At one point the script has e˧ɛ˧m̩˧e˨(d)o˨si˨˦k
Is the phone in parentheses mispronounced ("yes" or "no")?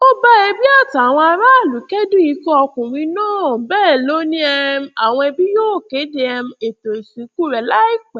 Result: yes